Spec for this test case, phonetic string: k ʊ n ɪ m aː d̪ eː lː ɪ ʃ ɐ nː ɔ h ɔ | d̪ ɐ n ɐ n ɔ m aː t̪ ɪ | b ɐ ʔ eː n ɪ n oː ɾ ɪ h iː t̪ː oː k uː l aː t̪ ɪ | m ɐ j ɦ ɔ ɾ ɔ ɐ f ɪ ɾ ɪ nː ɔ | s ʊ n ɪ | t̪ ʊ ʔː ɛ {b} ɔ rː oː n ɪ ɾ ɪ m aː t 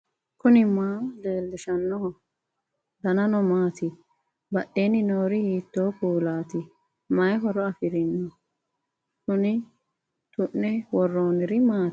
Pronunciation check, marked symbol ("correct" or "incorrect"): incorrect